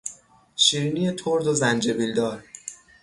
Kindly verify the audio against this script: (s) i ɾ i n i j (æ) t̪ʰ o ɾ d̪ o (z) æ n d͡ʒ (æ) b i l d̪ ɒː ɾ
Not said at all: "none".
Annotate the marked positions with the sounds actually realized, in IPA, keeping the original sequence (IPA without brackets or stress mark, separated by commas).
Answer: ʃ, e, z, e